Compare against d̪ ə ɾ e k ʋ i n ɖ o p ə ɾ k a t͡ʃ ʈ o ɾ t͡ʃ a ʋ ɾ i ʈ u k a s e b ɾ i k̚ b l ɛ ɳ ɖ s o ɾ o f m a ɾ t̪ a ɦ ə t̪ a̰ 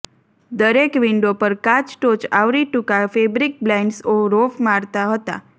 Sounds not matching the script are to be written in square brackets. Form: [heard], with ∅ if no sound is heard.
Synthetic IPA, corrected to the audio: d̪ ə ɾ e k ʋ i [ɳ] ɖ o p ə ɾ k a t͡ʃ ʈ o [∅] t͡ʃ a ʋ ɾ i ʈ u k a [f] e b ɾ i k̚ b l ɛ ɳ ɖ s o ɾ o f m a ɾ t̪ a ɦ ə t̪ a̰